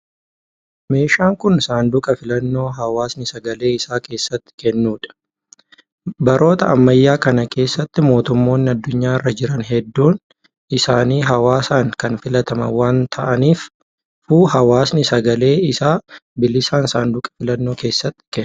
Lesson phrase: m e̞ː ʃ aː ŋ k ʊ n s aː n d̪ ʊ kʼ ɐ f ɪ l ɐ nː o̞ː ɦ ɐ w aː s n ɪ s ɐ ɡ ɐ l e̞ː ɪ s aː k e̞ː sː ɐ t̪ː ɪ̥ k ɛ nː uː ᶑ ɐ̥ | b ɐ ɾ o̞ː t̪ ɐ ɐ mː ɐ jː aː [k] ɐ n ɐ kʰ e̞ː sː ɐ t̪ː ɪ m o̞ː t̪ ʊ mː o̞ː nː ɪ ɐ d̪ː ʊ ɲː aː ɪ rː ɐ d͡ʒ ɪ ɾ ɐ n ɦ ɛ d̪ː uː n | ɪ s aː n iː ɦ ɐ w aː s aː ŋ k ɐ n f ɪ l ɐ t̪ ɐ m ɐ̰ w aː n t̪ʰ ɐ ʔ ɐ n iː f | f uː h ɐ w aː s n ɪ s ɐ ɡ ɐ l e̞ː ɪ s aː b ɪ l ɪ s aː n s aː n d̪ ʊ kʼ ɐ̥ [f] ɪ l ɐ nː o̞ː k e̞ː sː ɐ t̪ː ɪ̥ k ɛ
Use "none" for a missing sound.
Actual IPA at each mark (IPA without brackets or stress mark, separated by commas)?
k, f